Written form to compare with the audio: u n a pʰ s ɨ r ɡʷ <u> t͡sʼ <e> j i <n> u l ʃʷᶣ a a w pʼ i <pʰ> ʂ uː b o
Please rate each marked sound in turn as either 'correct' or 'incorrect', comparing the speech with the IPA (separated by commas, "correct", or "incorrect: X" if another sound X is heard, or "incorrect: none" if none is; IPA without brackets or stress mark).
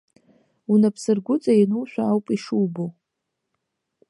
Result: incorrect: ʊ, incorrect: a, correct, incorrect: none